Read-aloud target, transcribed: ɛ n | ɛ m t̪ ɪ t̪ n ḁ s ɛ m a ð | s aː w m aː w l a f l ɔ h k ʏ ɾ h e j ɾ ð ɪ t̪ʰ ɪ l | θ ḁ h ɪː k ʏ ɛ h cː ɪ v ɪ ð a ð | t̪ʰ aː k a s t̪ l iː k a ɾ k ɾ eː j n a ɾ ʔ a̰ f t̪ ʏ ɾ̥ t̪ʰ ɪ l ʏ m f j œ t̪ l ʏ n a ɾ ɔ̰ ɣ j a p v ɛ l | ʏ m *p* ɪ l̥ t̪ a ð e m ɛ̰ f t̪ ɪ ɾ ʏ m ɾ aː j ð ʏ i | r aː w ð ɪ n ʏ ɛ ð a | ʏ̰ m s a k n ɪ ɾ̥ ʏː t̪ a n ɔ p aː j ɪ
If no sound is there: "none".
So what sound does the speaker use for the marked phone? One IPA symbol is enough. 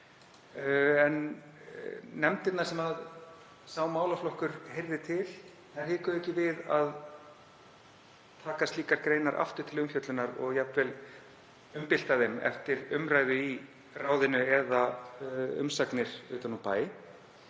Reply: p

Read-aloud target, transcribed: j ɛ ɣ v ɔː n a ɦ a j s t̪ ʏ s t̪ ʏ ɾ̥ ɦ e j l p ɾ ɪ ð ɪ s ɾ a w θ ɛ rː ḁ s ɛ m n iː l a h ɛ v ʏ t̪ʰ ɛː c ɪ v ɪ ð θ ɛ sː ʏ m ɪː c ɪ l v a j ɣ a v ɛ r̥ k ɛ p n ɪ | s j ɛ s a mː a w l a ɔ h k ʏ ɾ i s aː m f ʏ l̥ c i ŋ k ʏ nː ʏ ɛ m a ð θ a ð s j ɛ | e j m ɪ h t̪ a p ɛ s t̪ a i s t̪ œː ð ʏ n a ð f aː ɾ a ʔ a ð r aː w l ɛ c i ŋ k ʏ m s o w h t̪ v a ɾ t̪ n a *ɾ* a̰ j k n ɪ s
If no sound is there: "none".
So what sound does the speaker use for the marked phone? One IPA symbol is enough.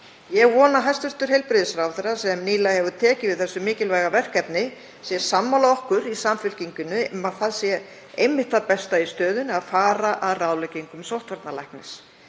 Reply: l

